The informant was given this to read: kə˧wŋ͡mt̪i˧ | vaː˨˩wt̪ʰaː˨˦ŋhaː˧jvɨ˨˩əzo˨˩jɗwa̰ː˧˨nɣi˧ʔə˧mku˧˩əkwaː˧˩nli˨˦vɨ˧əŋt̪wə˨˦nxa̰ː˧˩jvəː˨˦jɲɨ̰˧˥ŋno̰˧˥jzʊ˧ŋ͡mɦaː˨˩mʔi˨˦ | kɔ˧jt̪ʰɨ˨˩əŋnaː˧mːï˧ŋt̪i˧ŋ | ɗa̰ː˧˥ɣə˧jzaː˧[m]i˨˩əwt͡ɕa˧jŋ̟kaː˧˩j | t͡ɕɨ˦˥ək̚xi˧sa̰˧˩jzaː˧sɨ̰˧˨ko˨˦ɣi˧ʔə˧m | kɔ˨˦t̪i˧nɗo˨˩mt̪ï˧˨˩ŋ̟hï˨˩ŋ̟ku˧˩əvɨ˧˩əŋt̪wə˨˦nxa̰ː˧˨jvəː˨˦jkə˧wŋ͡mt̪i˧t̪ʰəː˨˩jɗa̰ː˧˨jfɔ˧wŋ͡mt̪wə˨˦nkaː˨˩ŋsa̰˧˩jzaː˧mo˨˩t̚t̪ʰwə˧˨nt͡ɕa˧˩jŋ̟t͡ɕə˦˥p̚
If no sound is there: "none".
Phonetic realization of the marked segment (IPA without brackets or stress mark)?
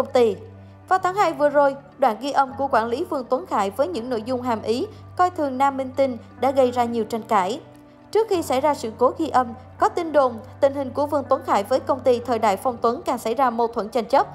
ɲ